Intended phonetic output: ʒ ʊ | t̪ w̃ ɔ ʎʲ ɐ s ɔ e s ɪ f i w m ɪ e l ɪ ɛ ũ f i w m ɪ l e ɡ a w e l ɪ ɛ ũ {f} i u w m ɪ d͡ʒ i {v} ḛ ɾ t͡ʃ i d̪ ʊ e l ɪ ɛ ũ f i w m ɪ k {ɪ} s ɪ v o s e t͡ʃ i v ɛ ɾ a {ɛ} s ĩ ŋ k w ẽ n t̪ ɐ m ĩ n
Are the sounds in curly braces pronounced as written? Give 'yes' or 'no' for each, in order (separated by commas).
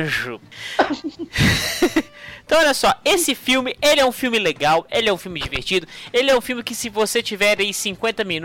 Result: yes, yes, yes, no